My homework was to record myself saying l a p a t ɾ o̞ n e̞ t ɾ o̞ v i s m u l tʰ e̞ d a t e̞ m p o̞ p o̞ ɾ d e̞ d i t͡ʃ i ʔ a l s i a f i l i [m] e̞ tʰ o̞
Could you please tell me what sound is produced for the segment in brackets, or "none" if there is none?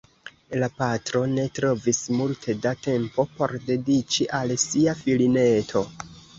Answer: n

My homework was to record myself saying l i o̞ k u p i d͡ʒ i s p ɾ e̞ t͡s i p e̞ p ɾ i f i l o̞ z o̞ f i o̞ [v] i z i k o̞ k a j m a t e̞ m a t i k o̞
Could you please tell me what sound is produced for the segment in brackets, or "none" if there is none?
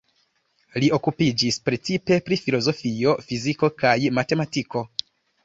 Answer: f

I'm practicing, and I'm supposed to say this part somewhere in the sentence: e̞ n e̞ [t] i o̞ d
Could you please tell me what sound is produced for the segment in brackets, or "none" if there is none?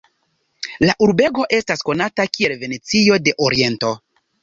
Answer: t͡s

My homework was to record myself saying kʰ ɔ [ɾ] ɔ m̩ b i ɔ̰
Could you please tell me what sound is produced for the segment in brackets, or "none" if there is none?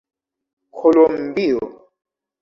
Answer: l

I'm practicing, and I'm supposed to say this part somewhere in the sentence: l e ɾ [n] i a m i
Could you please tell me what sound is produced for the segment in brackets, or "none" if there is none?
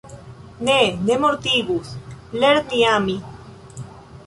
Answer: n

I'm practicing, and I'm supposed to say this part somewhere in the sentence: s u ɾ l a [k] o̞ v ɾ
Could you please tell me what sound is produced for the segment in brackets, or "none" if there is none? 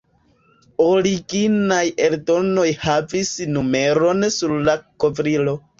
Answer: k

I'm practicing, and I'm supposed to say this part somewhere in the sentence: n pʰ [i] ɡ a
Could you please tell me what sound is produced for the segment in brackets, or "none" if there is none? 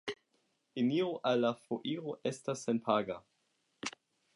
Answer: a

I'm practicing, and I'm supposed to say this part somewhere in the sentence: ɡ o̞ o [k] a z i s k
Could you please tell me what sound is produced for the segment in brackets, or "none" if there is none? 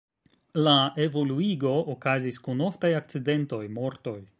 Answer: k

